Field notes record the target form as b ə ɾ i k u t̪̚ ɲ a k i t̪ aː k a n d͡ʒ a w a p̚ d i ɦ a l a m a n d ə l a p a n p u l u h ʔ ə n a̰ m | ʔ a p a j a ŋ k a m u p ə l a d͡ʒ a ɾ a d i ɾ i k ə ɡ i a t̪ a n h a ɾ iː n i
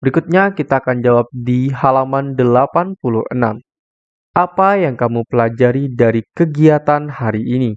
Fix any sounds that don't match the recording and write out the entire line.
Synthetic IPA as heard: b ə ɾ i k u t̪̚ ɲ a k i t̪ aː k a n d͡ʒ a w a p̚ d i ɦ a l a m a n d ə l a p a n p u l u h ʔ ə n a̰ m | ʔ a p a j a ŋ k a m u p ə l a d͡ʒ a ɾ i d a ɾ i k ə ɡ i a t̪ a n h a ɾ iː n i